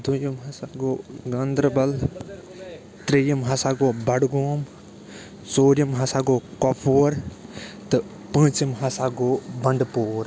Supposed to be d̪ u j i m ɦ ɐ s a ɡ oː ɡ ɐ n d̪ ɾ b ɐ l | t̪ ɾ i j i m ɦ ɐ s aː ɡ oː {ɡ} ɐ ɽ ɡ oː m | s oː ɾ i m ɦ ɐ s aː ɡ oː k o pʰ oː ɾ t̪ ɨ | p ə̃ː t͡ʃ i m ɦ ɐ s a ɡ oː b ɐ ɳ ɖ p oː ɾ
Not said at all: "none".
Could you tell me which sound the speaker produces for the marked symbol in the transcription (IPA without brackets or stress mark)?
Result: b